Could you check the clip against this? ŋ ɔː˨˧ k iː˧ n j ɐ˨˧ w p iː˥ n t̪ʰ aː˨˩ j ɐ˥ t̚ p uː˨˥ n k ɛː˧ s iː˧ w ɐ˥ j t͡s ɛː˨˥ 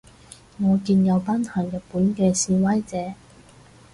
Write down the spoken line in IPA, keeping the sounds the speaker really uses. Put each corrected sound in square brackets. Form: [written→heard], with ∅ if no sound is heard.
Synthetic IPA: ŋ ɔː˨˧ k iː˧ n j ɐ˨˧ w p [iː˥→aː˥] n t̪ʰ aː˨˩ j [ɐ˥→ɐ˨] t̚ p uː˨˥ n k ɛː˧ s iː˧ w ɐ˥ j t͡s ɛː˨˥